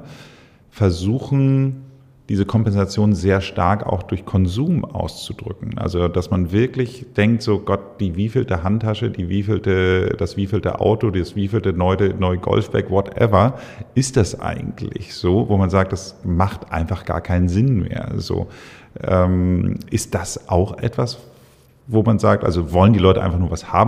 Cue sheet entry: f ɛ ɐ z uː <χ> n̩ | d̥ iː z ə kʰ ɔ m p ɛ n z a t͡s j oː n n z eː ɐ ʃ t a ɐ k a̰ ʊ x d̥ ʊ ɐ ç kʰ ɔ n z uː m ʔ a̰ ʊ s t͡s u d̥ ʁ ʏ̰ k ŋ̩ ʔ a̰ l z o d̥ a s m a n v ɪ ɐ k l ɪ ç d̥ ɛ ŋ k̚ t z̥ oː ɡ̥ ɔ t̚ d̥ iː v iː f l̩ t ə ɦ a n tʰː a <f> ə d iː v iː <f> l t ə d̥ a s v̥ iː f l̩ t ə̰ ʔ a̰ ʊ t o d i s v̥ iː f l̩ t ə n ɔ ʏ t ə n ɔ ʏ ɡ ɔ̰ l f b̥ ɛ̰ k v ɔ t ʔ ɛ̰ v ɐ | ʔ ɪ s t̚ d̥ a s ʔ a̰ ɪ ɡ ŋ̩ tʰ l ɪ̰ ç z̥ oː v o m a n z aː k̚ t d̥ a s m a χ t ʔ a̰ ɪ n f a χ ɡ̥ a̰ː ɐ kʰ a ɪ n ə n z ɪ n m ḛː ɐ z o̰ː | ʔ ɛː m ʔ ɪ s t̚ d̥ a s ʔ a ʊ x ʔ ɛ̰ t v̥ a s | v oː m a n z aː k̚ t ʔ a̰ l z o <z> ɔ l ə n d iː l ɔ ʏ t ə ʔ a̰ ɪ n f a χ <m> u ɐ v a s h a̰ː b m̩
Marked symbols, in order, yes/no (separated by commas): no, no, yes, no, no